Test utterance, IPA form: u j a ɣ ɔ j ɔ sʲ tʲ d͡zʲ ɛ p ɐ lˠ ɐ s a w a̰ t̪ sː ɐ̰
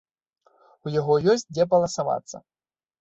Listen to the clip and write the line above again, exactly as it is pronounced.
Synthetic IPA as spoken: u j a ɣ ɔ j ɔ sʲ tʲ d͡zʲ ɛ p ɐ lˠ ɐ s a v a̰ t̪ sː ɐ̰

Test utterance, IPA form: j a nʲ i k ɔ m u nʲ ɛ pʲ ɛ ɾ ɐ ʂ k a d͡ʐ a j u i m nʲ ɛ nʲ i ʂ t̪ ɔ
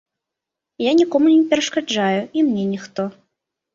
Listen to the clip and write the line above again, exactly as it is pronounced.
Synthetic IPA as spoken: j a nʲ i k ɔ m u nʲ ɛ pʲ ɛ ɾ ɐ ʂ k a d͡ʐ a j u i m nʲ ɛ nʲ i x t̪ ɔ

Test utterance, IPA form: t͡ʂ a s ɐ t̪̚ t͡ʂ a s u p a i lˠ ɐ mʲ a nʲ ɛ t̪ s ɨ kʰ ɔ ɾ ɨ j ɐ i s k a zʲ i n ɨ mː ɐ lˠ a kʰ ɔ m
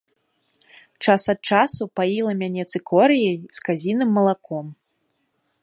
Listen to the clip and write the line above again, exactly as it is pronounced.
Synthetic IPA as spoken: t͡ʂ a s ɐ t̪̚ t͡ʂ a s u p a i lˠ ɐ mʲ a nʲ ɛ t̪ s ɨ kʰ ɔ ɾ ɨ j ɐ j s k a zʲ i n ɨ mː ɐ lˠ a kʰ ɔ m

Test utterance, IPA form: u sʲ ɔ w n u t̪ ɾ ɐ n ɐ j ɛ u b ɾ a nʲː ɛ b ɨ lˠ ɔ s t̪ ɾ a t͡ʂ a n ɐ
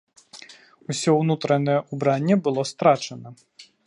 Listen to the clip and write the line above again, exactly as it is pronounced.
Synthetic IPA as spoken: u sʲ ɔ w n u t̪ ɾ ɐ n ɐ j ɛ u b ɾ a nʲː ɛ b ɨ lˠ ɔ s t̪ ɾ a t͡ʂ ɐ n ɐ

